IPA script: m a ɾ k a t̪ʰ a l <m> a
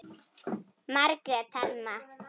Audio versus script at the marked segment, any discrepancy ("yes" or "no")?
no